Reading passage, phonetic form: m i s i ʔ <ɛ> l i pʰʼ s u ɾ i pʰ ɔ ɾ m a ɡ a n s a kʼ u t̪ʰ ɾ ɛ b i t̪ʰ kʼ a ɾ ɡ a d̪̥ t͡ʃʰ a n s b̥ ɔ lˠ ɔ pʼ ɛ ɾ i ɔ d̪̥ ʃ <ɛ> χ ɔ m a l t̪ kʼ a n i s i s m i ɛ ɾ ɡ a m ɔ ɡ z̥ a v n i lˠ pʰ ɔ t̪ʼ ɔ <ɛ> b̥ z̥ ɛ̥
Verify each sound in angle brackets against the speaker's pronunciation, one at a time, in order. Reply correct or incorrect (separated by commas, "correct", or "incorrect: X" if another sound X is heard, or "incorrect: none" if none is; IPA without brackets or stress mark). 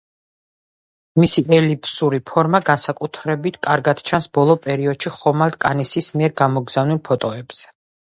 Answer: correct, incorrect: i, correct